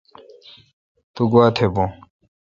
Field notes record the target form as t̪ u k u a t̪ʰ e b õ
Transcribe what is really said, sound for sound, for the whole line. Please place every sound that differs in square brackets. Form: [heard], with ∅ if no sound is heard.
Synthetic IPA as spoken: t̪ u [ɡ] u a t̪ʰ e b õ